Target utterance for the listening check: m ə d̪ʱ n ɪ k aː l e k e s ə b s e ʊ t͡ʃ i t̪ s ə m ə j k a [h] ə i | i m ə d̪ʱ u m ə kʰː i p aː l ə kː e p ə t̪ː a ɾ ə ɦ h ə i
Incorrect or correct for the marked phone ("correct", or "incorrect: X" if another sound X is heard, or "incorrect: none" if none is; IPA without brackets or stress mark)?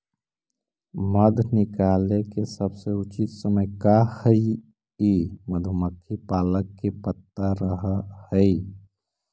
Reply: correct